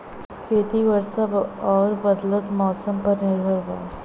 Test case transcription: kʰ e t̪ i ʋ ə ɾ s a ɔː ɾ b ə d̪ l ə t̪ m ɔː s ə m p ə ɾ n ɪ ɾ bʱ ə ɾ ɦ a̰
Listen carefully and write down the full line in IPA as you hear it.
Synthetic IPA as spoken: kʰ e t̪ i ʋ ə ɾ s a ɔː ɾ b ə d̪ l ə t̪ m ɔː s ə m p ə ɾ n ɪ ɾ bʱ ə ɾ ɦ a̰